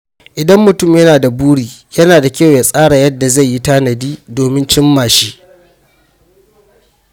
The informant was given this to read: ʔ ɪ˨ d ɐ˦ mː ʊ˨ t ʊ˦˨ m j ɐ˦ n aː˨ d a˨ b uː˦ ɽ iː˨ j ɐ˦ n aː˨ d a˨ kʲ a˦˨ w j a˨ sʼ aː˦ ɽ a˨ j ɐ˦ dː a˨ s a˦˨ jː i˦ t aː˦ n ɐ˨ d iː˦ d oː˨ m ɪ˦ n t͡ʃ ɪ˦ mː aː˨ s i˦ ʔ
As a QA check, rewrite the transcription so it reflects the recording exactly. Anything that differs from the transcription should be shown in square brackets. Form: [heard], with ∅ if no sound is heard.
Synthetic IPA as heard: ʔ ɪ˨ d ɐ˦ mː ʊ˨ t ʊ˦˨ m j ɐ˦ n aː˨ d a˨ b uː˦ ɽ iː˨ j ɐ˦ n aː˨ d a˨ kʲ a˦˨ w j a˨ sʼ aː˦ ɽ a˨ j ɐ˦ dː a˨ [z] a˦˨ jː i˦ t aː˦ n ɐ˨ d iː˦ d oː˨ m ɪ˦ n t͡ʃ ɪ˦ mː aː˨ [ʃ] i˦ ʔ